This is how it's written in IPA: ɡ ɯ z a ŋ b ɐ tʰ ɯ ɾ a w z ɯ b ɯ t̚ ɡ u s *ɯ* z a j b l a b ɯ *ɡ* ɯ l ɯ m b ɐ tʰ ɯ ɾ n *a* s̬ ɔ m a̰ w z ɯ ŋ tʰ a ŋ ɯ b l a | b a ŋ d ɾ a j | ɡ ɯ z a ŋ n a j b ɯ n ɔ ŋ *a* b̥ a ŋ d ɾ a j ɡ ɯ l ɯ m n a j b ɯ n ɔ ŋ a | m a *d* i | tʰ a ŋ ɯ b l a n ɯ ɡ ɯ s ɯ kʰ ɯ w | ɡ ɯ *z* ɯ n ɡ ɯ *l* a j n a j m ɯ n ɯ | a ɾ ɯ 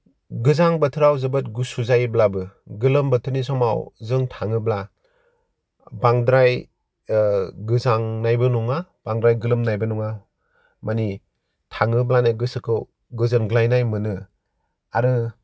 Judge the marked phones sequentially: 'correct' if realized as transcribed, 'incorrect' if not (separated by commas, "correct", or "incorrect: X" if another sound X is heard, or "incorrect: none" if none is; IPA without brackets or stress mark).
incorrect: u, correct, incorrect: i, correct, incorrect: n, correct, correct